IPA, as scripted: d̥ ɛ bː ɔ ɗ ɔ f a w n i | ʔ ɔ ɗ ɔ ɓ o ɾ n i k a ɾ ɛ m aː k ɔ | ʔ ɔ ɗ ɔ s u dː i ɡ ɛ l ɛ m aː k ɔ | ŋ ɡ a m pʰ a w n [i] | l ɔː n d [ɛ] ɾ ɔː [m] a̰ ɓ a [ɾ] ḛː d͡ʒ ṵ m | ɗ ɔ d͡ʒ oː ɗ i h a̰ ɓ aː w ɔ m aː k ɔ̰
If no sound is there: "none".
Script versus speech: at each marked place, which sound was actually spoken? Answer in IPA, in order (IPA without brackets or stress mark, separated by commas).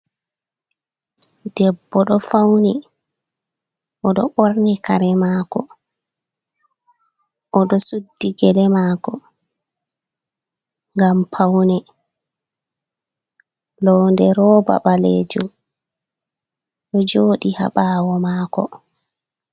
ɛ, ɛ, b, l